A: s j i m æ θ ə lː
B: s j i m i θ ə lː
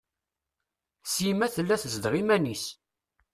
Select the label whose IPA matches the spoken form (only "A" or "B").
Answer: A